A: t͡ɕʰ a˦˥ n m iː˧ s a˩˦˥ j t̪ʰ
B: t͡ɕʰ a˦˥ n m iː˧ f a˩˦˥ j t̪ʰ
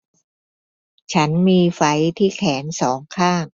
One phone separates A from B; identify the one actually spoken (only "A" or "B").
B